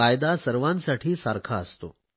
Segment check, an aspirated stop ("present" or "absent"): present